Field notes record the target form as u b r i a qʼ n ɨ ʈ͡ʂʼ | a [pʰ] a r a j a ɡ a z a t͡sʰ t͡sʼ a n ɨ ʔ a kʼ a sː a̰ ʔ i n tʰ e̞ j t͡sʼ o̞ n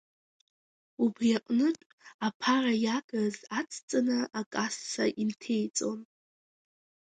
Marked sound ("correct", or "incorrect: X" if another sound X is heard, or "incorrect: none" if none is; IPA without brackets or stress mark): correct